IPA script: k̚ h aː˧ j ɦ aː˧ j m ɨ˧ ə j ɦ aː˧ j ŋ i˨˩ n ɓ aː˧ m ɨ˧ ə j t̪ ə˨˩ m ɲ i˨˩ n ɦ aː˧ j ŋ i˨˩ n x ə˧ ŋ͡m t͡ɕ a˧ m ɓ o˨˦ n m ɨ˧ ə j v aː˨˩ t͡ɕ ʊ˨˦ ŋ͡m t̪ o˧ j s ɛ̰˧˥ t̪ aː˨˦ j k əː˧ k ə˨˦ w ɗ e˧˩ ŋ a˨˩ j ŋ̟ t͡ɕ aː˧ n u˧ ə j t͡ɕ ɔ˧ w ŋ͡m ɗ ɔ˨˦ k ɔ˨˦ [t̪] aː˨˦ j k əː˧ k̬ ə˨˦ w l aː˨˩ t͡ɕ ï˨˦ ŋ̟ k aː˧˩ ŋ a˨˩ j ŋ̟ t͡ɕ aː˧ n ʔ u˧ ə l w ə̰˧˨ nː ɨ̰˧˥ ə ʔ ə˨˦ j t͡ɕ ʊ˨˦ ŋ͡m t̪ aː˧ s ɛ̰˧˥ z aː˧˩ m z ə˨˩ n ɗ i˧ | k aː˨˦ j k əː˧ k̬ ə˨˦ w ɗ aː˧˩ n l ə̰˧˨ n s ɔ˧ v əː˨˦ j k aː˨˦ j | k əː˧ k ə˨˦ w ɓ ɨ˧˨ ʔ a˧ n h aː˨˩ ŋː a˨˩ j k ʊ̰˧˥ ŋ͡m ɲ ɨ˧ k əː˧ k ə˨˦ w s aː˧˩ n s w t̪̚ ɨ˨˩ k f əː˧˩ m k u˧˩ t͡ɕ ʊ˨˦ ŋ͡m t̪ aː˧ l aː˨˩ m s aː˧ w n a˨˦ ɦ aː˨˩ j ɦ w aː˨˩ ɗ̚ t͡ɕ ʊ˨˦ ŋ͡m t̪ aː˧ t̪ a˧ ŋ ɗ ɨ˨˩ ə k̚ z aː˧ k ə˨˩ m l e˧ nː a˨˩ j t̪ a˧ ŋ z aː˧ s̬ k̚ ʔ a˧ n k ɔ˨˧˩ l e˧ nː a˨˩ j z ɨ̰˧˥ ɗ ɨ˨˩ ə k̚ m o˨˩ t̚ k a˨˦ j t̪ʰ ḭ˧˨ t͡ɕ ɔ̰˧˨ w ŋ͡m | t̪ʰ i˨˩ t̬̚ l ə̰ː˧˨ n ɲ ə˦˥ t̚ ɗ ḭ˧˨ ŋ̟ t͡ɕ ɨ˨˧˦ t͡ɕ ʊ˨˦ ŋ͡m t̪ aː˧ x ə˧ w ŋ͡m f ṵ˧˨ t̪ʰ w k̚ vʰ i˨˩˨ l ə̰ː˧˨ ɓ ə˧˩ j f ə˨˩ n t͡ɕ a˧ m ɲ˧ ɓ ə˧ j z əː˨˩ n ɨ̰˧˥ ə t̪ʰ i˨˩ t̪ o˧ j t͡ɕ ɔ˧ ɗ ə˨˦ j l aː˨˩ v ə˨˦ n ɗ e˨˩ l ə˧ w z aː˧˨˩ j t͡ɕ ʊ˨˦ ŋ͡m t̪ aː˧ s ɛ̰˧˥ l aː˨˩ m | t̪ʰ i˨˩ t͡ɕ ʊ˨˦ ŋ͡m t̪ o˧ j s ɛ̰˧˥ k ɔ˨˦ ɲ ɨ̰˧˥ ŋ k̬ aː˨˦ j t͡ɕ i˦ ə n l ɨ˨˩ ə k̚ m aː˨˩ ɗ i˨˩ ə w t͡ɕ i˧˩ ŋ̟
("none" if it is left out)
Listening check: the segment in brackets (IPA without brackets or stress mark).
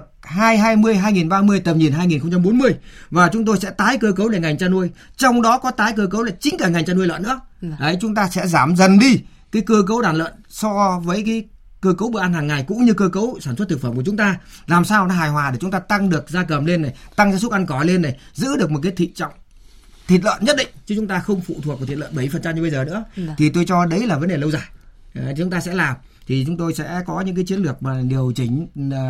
t̪